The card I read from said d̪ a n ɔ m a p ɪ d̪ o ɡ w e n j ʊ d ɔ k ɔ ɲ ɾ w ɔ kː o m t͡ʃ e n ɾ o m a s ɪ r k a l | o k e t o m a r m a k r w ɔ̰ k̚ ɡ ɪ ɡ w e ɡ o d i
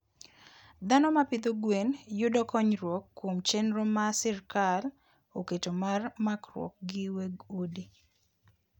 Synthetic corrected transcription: d̪ a n ɔ m a p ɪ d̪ o ɡ w e n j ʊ d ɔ k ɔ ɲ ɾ w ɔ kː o m t͡ʃ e n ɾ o m a s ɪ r k a l | o k e t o m a r m a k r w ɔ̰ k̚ ɡ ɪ w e ɡ o d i